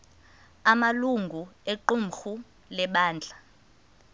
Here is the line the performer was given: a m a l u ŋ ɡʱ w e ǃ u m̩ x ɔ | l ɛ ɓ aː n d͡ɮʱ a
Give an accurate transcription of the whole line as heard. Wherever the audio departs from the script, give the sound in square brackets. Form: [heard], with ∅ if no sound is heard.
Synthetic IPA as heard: a m a l u ŋ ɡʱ [u] e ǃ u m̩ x [u] | l ɛ ɓ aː n d͡ɮʱ a